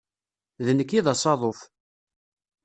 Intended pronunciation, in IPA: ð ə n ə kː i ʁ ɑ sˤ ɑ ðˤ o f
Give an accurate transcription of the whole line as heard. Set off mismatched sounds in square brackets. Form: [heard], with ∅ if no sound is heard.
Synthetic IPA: ð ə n ə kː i [ð] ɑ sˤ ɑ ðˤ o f

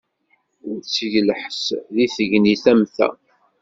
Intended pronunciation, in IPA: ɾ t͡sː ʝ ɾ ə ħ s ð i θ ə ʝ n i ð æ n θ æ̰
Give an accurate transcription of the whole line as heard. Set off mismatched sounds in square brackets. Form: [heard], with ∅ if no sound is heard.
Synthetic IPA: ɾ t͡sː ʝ [l] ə ħ s ð i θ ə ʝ n i [θ] æ [m] θ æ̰

